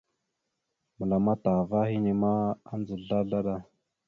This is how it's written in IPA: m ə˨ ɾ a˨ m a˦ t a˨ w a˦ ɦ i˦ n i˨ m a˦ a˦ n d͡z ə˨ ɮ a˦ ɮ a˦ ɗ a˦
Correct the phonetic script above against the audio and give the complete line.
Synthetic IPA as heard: m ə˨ l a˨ m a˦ t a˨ v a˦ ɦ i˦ n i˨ m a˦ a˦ n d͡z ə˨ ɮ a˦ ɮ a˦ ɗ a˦